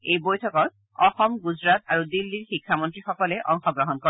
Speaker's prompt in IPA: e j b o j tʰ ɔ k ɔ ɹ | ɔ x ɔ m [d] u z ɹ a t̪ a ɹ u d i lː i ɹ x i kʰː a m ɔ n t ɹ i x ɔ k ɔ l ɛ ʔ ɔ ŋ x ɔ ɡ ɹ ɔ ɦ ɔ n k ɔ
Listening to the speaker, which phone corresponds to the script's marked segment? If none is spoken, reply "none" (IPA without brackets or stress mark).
ɡ